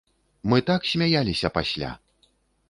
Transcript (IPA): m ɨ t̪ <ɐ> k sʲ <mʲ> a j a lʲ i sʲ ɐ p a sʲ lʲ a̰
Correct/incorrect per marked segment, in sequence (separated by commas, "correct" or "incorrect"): incorrect, correct